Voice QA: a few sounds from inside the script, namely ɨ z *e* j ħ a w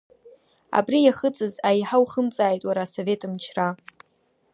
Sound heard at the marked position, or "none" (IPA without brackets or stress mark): a